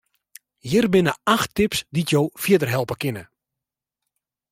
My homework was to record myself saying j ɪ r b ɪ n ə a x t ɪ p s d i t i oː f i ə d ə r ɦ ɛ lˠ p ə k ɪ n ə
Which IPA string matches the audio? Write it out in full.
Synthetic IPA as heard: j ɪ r b ɪ n ə a x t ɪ p s d i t j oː f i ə d ə r ɦ ɛ lˠ p ə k ɪ n ə